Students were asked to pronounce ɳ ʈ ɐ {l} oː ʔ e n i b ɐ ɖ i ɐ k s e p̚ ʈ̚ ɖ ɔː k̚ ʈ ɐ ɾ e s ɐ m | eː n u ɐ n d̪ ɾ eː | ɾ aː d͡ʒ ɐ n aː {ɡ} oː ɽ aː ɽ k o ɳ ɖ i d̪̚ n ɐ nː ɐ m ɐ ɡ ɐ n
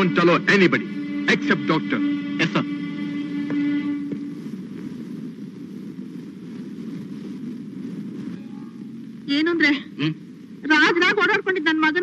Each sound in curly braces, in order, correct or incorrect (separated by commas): correct, correct